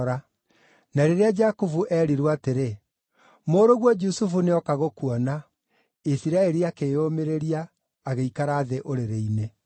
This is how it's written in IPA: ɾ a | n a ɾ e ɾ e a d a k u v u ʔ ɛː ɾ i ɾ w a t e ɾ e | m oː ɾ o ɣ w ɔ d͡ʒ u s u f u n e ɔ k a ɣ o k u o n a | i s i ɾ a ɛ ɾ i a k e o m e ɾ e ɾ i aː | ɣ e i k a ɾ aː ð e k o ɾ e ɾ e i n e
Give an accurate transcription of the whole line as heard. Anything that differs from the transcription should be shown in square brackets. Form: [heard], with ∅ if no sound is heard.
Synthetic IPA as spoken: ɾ a | n a ɾ e ɾ e a [d͡ʒ] a k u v u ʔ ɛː ɾ i ɾ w a t e ɾ e | m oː ɾ o ɣ w ɔ d͡ʒ u s u f u n e ɔ k a ɣ o k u [ɔ] n a | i s i ɾ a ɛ ɾ i a k e o m e ɾ e ɾ i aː | ɣ e i k a ɾ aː ð e [ʔ] o ɾ e ɾ e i n e